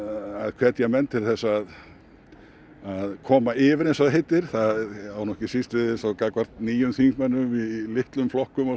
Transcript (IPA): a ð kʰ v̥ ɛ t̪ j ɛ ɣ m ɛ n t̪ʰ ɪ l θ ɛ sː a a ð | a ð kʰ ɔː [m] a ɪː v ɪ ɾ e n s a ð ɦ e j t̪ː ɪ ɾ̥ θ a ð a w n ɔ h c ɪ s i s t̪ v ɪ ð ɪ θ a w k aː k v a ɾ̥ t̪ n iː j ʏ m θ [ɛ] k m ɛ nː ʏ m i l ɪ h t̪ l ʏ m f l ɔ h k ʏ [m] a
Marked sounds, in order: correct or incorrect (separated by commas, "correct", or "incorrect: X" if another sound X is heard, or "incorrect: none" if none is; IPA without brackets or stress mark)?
correct, incorrect: i, correct